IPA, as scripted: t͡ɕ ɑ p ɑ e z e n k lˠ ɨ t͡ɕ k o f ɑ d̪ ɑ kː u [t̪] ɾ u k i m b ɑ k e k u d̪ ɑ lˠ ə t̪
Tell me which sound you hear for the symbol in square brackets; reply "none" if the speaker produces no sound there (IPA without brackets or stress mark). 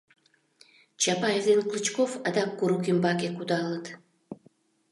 none